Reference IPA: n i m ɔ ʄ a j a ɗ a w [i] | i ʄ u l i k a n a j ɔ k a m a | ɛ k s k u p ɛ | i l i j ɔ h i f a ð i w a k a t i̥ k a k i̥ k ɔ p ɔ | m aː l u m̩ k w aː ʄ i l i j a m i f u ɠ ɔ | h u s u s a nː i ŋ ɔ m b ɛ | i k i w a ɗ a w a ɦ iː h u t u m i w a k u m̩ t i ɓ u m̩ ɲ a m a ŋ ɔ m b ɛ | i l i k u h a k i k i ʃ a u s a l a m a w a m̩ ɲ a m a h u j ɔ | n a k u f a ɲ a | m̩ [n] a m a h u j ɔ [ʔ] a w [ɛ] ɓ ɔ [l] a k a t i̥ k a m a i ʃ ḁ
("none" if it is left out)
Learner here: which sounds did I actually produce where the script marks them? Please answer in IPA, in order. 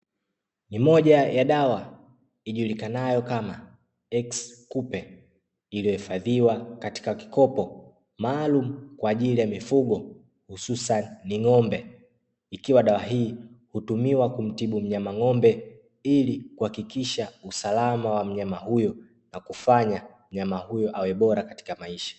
a, ɲ, ʔ, ɛ, ɾ

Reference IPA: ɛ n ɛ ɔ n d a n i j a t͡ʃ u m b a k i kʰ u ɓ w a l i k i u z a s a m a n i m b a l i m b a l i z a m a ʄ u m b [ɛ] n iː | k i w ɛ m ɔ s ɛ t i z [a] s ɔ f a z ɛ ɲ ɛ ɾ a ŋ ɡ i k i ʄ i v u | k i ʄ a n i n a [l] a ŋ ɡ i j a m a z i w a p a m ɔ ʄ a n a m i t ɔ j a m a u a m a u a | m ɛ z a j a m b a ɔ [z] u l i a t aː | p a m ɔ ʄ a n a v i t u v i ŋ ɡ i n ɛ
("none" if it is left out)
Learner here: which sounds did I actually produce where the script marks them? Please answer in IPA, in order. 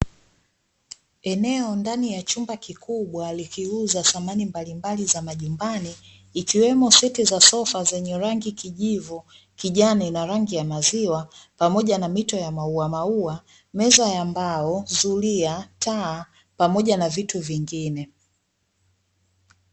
a, a, ɾ, z

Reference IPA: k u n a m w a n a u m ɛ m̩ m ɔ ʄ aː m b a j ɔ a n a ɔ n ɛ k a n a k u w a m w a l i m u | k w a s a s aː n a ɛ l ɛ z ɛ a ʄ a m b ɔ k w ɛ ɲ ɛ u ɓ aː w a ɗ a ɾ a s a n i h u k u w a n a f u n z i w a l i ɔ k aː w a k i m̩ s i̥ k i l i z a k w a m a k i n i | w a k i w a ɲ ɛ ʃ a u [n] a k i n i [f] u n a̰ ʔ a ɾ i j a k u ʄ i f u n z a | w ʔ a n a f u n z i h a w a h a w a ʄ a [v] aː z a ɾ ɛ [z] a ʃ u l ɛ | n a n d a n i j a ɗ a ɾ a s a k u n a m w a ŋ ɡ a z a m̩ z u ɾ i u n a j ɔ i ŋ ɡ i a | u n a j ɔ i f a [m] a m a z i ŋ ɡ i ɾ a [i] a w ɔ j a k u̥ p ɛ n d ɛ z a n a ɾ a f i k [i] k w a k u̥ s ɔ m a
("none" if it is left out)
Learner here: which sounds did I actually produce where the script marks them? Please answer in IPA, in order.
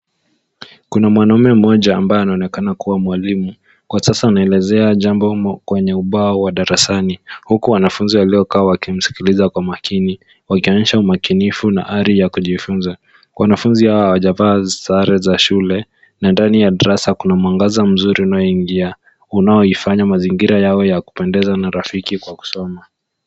m, f, v, z, ɲ, j, i

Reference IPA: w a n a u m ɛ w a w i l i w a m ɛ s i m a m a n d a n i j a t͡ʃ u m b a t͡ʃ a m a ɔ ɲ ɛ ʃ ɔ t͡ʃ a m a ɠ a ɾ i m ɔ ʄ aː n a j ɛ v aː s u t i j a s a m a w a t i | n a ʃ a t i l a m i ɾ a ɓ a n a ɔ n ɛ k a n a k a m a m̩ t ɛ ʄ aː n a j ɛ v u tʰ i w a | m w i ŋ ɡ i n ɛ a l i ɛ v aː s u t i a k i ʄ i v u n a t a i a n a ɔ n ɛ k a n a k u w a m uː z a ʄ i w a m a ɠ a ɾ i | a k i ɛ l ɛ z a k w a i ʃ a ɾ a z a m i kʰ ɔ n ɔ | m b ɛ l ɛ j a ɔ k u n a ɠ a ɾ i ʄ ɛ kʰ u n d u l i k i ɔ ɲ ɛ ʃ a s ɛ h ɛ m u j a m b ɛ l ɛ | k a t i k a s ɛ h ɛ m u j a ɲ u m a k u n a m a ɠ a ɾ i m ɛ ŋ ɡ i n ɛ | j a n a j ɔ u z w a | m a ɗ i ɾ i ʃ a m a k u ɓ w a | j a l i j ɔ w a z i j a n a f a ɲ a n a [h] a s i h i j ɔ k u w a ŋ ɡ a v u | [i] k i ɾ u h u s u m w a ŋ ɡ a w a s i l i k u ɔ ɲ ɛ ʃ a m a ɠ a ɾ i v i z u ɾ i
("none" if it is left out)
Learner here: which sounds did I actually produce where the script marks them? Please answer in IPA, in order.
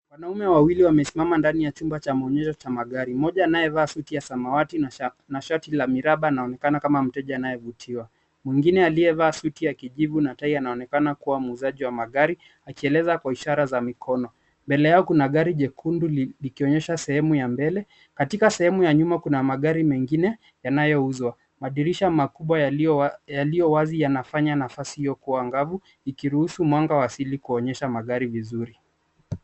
f, i

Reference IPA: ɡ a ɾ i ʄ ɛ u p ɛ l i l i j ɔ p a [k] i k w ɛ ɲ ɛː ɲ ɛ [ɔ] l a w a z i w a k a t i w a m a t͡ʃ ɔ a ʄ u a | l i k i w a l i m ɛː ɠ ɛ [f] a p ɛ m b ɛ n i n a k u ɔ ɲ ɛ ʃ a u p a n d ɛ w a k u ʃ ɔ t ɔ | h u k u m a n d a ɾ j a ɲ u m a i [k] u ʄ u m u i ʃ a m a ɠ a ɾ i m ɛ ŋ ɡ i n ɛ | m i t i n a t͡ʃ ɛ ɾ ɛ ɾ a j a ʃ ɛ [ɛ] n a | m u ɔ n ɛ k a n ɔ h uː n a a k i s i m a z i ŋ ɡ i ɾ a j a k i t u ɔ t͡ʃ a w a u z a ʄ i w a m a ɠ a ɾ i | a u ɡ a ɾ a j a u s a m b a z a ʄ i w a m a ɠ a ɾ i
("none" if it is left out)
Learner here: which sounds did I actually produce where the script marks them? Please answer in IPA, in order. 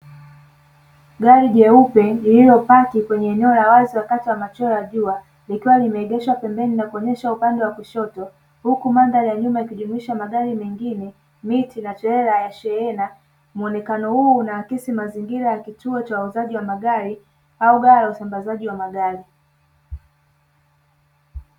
k, ɔ, ʃ, k, ɛ

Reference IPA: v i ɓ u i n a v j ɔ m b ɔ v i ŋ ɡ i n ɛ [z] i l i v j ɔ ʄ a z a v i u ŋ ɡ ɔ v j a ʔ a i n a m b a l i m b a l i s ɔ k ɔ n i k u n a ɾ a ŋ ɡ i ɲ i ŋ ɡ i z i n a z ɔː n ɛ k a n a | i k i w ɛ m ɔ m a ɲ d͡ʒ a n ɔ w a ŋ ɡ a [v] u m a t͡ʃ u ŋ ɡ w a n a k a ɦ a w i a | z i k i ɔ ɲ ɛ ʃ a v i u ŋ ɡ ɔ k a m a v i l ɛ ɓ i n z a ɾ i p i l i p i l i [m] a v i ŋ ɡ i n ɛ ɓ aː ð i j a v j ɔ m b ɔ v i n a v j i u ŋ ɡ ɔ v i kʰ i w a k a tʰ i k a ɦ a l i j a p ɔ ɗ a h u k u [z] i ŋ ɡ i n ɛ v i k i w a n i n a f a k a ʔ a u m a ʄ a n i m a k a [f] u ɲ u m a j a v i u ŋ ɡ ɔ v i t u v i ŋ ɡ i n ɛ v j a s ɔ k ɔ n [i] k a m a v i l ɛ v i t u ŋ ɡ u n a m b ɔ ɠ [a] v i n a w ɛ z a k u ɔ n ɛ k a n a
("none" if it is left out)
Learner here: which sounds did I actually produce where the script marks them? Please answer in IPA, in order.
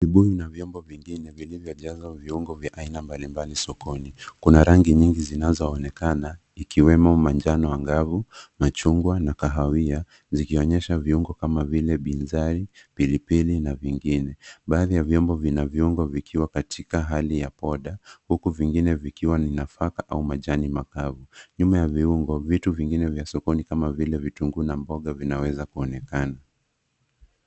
v, v, n, v, v, i, a

